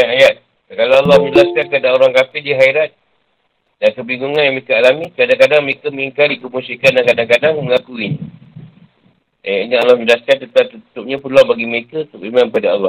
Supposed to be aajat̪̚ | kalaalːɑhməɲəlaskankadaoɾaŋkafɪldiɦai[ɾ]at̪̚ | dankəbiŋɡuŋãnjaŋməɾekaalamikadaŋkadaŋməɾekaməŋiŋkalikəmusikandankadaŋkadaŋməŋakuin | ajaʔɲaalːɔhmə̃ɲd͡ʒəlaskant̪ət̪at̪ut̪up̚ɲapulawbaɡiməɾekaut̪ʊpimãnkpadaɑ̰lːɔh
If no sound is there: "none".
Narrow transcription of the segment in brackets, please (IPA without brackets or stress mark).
ɾ